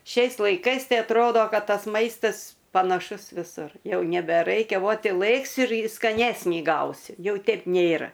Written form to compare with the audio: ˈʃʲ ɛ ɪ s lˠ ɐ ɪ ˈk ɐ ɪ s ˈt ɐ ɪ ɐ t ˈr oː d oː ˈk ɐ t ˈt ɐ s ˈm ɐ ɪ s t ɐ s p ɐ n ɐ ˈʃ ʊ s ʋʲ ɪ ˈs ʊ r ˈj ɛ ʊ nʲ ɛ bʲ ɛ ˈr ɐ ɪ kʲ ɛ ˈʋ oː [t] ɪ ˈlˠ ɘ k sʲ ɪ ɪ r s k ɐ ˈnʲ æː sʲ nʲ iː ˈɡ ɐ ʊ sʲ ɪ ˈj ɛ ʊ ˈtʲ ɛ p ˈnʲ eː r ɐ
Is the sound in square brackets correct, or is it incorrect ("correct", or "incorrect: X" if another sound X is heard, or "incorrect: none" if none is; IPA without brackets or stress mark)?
correct